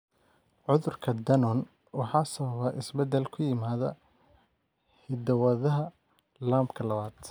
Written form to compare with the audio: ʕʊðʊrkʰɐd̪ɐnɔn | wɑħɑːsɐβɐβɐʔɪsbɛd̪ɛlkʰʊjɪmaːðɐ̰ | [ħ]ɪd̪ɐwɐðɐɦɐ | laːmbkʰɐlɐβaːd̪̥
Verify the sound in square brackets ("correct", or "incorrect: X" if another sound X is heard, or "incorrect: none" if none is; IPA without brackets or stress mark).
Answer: incorrect: h